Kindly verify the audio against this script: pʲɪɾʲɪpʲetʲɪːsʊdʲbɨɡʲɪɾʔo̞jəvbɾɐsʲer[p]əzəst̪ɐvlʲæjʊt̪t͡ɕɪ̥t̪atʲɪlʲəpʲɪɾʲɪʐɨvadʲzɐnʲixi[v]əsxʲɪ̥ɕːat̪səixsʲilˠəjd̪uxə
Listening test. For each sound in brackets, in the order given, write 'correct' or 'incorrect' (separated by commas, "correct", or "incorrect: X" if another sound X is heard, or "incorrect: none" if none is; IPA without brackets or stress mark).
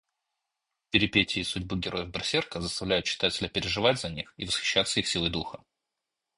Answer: incorrect: k, correct